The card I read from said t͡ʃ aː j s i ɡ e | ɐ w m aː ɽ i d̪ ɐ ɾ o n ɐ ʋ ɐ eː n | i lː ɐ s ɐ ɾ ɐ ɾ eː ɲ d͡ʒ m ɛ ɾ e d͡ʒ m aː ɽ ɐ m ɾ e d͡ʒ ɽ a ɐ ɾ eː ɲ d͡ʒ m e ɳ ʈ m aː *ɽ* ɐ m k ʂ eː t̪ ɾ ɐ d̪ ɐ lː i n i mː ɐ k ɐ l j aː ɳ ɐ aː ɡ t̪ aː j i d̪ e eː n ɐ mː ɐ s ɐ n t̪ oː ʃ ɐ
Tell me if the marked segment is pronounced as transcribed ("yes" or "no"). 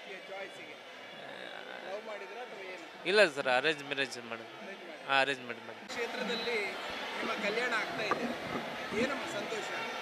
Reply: yes